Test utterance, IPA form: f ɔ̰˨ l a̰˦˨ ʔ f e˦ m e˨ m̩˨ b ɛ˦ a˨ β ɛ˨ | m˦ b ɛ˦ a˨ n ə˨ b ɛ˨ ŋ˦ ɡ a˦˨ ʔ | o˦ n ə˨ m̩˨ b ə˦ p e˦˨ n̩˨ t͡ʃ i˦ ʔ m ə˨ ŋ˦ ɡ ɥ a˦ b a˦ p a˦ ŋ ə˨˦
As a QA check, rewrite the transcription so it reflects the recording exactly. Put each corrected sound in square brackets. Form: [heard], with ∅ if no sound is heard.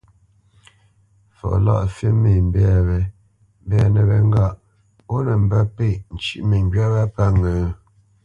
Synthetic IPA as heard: f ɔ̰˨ l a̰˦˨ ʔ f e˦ m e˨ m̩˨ b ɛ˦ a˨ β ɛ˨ | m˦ b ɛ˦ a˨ n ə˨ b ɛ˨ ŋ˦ ɡ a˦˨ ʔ | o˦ n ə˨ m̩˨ b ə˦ p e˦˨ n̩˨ t͡ʃ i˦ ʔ m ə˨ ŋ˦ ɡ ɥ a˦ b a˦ p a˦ ŋ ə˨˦